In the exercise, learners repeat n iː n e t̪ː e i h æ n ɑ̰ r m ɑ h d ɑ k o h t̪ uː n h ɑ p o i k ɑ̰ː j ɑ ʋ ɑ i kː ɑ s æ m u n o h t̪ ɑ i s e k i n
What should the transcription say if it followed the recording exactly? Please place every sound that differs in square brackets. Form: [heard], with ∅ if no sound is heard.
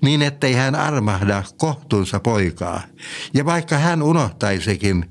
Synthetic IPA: n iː n e t̪ː e i h æ n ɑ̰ r m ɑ h d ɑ k o h t̪ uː n [s] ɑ p o i k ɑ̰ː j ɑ ʋ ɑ i kː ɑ [h] æ [n] u n o h t̪ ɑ i s e k i n